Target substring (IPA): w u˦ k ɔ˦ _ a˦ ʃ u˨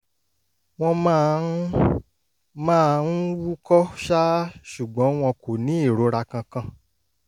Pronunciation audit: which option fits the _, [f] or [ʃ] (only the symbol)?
ʃ